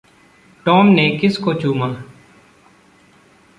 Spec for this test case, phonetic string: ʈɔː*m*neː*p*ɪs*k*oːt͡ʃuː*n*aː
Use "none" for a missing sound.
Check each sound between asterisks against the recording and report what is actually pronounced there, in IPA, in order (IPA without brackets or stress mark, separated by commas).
m, k, k, m